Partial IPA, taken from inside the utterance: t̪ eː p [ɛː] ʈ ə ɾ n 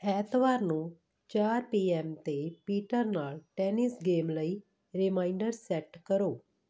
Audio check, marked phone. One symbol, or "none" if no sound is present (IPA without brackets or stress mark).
iː